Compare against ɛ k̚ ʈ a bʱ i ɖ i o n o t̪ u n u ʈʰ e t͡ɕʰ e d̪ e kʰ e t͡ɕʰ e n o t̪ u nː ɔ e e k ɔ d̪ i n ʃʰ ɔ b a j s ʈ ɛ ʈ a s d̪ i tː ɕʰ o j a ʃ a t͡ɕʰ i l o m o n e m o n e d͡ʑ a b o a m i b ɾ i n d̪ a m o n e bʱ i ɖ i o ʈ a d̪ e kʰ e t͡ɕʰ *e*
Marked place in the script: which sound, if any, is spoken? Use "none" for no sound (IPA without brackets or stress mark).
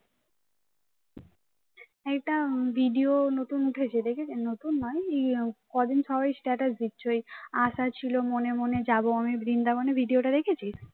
i